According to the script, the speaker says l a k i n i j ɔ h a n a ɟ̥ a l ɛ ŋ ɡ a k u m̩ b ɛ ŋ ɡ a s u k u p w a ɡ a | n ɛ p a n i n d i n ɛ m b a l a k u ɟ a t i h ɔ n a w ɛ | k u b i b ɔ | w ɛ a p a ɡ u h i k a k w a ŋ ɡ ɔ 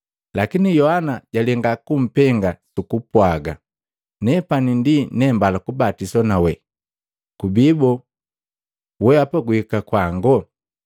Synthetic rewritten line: l a k i n i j ɔ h a n a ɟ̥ a l ɛ ŋ ɡ a k u m̩ p ɛ ŋ ɡ a s u k u p w a ɡ a | n ɛ p a n i n d i n ɛ m b a l a k u b a t i s ɔ n a w ɛ | k u b i b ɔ | w ɛ a p a ɡ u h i k a k w a ŋ ɡ ɔ